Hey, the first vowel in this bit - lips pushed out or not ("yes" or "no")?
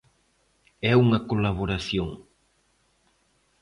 no